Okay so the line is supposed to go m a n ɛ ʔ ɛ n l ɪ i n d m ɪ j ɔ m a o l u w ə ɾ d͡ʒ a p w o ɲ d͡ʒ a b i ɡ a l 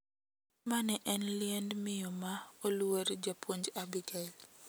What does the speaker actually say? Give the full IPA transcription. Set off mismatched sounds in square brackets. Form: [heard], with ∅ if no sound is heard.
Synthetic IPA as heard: m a n ɛ ʔ ɛ n l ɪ [ɛ] n d m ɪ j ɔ m a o l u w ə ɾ d͡ʒ a p w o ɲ d͡ʒ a b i ɡ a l